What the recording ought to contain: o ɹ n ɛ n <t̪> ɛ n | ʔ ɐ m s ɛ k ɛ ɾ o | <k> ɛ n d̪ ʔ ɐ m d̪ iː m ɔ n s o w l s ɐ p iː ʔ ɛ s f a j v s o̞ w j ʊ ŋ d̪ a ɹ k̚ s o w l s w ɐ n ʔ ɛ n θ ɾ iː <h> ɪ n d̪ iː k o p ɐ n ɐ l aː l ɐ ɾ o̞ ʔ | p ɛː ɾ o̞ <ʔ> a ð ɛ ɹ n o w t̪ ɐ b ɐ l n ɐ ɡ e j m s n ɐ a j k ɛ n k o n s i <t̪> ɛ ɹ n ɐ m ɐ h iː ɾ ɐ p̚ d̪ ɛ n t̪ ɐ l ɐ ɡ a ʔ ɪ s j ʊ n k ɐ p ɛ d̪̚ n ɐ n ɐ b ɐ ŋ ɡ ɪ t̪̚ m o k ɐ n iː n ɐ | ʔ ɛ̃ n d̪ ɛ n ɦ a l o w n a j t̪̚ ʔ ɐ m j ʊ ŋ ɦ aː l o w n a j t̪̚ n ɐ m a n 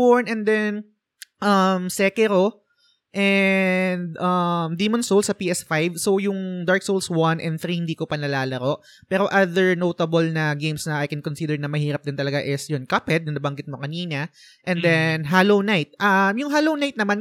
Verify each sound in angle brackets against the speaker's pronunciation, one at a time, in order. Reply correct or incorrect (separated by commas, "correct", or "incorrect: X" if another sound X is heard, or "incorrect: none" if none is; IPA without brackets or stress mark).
incorrect: d̪, incorrect: ʔ, correct, correct, incorrect: d̪